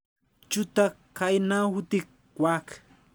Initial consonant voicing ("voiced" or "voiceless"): voiceless